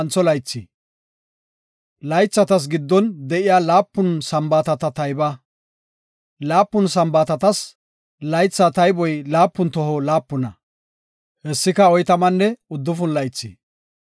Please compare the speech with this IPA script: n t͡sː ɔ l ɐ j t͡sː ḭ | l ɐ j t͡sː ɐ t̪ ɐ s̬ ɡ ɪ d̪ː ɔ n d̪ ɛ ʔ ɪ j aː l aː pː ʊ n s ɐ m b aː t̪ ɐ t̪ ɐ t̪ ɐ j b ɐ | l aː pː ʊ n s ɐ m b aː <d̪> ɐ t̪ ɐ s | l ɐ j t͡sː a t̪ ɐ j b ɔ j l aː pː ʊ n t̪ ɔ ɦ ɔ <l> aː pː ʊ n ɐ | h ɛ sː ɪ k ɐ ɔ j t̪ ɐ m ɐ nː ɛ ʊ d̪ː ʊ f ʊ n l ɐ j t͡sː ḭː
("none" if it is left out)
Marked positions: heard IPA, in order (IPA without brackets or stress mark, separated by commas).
t̪, l